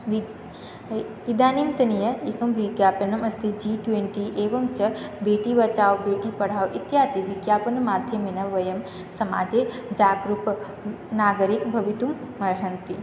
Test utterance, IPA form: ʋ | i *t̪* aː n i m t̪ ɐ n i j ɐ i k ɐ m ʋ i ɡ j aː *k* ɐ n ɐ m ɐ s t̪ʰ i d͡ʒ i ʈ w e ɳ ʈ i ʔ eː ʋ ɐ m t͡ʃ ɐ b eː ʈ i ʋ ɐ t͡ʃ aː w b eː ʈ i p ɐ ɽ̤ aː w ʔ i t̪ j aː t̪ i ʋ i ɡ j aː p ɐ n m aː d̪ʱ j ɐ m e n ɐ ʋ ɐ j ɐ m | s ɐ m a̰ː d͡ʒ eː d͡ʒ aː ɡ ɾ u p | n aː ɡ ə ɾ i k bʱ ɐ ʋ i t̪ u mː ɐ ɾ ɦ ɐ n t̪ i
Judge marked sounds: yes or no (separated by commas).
no, no